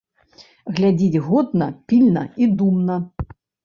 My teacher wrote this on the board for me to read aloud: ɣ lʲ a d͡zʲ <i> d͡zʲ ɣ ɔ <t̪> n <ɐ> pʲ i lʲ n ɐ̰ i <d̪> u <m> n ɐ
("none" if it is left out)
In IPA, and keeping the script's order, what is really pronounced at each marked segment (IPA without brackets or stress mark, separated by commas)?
i, d̪, ɐ, d̪, m